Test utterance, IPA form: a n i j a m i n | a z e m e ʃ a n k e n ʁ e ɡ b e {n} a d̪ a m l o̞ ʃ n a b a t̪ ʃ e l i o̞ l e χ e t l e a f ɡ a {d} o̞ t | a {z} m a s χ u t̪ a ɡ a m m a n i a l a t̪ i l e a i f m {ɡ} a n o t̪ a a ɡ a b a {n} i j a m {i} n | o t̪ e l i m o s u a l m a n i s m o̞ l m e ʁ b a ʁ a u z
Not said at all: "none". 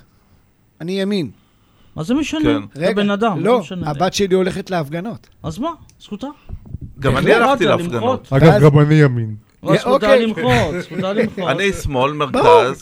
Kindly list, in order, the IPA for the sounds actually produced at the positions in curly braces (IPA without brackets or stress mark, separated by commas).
n, n, z, ɡ, n, i